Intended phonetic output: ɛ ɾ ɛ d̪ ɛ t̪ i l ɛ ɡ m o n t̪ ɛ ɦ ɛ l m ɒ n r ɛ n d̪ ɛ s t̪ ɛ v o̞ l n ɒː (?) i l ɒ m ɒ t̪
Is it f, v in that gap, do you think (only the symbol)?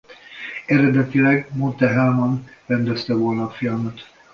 f